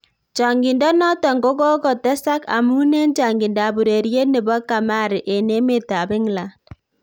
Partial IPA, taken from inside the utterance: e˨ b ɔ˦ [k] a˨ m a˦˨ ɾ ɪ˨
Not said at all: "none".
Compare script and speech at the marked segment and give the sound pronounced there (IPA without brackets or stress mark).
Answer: k